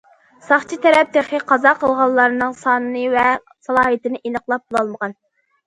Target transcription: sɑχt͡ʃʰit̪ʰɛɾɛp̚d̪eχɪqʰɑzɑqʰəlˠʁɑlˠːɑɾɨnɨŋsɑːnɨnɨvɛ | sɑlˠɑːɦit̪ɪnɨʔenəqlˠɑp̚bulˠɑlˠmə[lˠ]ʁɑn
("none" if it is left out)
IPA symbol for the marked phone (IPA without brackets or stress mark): none